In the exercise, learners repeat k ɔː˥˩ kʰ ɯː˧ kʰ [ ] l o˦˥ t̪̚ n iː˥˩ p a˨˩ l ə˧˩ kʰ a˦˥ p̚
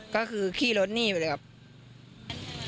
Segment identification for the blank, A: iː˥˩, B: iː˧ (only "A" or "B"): A